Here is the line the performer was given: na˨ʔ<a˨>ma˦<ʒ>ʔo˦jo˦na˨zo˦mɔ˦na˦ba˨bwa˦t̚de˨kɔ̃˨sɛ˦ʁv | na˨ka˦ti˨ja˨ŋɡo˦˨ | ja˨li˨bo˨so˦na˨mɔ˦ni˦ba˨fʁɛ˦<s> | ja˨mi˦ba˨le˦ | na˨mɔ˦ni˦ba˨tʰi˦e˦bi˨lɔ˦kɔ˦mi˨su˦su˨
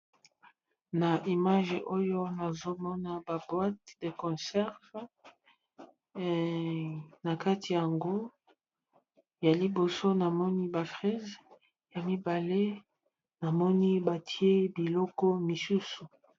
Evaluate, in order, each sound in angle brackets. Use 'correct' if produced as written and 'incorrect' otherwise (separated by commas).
incorrect, correct, incorrect